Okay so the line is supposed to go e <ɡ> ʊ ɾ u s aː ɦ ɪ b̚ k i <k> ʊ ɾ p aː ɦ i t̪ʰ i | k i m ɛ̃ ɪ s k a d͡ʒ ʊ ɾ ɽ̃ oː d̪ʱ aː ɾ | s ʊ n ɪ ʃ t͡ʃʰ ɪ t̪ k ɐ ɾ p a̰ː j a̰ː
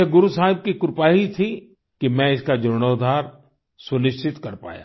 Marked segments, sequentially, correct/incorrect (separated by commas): correct, correct